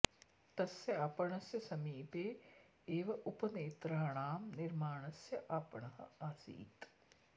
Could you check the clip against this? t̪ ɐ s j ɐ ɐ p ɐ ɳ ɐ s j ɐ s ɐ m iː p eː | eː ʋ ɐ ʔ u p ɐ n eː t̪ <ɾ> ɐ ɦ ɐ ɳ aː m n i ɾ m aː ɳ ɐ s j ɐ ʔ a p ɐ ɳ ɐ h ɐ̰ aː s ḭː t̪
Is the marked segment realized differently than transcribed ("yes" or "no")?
no